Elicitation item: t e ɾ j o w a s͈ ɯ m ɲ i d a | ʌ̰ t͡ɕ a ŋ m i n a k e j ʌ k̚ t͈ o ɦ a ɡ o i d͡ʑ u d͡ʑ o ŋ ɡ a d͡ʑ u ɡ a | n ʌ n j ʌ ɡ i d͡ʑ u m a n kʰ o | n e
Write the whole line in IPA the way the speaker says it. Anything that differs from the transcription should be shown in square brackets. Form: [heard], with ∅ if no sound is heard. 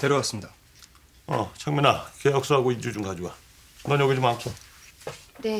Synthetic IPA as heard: t e ɾ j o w a s͈ ɯ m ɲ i d a | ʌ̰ [t͡ɕʰ] a ŋ m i n a k e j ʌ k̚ [s͈] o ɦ a ɡ o i d͡ʑ u d͡ʑ [u] ŋ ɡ a d͡ʑ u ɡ a | n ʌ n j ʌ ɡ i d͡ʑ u m a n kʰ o | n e